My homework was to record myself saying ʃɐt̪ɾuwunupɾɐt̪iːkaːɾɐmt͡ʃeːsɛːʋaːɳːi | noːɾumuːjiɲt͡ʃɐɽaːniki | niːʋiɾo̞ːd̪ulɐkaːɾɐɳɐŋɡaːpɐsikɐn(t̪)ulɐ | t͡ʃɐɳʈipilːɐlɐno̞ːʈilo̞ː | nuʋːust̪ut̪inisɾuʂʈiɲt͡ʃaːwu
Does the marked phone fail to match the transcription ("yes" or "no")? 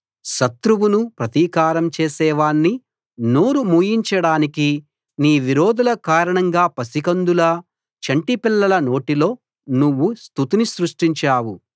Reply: yes